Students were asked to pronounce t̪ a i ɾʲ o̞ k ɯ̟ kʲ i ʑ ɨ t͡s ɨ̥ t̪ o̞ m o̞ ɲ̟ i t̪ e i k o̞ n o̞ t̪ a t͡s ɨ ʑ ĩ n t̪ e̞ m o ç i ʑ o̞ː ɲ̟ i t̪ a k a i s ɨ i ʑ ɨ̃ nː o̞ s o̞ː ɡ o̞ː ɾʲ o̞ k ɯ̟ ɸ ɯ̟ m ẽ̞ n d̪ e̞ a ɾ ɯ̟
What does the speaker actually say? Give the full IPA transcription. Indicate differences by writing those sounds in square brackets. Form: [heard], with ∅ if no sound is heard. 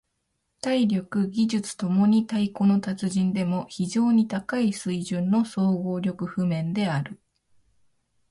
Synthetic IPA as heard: t̪ a i ɾʲ o̞ k ɯ̟ [ɡʲ] i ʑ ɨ t͡s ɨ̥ t̪ o̞ m o̞ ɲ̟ i t̪ [a] i k o̞ n o̞ t̪ a t͡s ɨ ʑ ĩ n [d̪] e̞ m o ç i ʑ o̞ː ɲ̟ i t̪ a k a i s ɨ i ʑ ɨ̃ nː o̞ s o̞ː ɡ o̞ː ɾʲ o̞ k ɯ̟ ɸ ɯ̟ m ẽ̞ n d̪ e̞ a ɾ ɯ̟